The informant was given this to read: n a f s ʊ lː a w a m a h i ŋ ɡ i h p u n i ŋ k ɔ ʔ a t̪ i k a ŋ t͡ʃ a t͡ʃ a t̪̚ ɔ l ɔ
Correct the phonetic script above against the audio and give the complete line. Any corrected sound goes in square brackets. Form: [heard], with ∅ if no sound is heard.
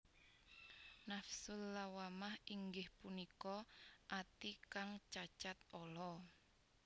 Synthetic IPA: n a f s ʊ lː a w a m a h i ŋ ɡ [ɪ] h p u n i [∅] k ɔ ʔ a t̪ i k a ŋ t͡ʃ a t͡ʃ a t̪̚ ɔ l ɔ